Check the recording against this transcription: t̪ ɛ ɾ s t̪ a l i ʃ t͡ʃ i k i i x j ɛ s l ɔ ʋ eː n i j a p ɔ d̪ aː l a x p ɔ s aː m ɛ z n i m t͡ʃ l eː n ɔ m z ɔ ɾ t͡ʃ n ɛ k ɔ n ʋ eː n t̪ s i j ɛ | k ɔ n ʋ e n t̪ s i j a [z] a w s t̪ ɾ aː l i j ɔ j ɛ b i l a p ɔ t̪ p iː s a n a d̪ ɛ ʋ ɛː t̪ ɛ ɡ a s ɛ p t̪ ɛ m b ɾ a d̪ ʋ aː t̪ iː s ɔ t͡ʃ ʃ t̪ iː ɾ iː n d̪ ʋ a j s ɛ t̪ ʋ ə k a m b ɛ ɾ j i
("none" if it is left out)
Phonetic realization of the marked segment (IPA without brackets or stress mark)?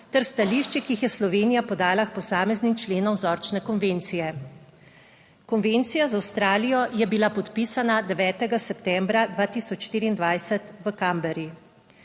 z